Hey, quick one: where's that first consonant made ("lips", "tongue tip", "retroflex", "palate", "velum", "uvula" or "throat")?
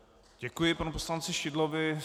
palate